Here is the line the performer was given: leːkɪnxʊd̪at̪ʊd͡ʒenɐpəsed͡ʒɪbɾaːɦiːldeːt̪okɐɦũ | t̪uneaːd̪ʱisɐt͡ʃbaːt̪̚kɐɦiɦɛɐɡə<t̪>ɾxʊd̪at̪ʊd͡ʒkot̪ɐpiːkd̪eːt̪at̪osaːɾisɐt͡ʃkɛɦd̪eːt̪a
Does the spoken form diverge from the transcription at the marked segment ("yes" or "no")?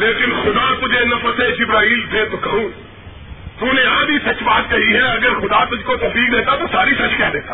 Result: yes